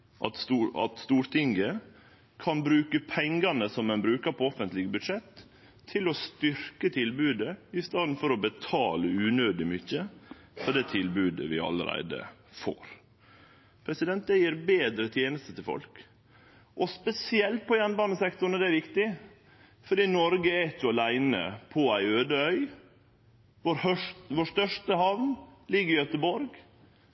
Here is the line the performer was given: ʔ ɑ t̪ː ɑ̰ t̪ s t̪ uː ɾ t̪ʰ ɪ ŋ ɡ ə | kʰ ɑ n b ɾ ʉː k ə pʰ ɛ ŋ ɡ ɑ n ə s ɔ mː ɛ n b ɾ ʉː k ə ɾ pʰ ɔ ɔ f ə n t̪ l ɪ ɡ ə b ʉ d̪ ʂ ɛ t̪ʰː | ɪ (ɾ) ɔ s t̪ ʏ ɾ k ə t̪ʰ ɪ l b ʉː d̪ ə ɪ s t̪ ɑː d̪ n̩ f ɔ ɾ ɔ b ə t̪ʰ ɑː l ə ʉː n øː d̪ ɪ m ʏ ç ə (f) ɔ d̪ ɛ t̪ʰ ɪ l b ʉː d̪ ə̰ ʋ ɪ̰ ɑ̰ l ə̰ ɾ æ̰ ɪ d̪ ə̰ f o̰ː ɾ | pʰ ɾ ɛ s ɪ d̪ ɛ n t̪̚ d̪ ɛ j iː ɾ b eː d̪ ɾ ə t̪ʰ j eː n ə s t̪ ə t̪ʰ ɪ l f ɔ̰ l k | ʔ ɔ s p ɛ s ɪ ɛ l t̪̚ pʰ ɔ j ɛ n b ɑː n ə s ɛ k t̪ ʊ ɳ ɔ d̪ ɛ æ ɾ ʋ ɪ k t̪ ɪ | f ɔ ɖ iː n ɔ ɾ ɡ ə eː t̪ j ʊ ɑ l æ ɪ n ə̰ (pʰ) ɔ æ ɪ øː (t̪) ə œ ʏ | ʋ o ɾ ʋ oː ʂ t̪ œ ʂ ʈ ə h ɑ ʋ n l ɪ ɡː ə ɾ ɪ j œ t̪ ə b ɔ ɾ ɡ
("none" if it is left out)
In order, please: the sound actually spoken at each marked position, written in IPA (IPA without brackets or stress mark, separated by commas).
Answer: l, f, pʰ, d̪